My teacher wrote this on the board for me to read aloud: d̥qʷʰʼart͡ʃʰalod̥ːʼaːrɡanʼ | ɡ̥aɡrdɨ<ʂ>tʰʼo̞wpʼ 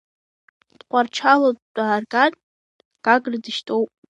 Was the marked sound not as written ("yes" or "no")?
yes